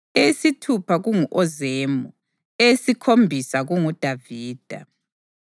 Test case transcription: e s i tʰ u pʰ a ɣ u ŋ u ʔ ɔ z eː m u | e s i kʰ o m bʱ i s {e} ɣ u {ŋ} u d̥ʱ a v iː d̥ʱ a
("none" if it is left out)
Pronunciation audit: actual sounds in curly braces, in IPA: a, ŋ

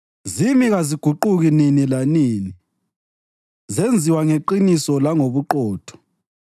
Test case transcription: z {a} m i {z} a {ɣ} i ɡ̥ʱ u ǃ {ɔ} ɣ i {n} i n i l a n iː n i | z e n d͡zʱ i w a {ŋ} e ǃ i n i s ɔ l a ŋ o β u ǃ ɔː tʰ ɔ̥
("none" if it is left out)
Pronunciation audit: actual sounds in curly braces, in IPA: i, ɣ, z, u, n, ŋ

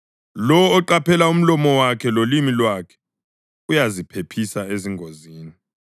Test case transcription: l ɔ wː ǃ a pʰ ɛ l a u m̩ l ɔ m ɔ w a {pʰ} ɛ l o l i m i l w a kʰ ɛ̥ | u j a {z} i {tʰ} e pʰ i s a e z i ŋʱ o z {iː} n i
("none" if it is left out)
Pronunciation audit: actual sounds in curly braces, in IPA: kʰ, z, pʰ, iː

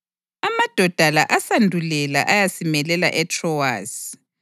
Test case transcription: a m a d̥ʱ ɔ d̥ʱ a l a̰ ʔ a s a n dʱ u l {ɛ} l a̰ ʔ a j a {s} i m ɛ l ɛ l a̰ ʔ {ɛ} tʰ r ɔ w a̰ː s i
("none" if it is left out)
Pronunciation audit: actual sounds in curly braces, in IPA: ɛ, s, ɛ

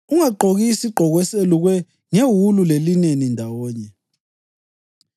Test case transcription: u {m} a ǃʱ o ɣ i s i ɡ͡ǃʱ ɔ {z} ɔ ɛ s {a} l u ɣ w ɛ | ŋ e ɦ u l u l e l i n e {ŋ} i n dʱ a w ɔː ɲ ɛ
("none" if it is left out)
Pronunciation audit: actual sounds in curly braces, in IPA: ŋ, ɣ, e, n

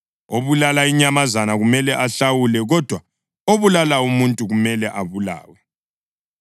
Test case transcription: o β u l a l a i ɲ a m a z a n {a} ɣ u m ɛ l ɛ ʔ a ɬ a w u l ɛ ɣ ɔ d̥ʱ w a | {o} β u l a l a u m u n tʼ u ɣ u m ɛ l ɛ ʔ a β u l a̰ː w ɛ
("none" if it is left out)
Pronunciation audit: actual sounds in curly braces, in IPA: a, o

